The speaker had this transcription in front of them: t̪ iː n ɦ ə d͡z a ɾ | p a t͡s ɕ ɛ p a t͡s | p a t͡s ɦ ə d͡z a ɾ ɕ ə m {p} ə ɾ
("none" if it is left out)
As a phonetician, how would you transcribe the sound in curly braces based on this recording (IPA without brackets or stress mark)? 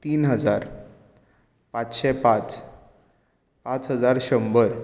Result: b